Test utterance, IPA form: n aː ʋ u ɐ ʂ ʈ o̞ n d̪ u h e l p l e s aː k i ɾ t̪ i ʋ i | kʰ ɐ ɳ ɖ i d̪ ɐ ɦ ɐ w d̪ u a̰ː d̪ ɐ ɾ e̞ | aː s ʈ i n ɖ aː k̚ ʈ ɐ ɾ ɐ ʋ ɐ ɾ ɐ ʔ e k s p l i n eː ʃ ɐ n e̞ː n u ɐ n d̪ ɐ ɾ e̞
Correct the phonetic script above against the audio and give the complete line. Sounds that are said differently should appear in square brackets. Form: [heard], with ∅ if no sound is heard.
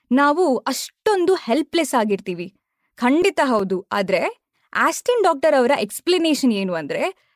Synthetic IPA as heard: n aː ʋ u ɐ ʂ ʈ o̞ n d̪ u h e l p l e s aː [ɡ] i ɾ t̪ [iː] ʋ i | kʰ ɐ ɳ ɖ i [t̪] ɐ ɦ ɐ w d̪ u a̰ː d̪ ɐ ɾ e̞ | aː s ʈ i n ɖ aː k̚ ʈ ɐ ɾ ɐ ʋ ɐ ɾ ɐ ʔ e k s p l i n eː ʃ ɐ n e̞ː n u ɐ n d̪ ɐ ɾ e̞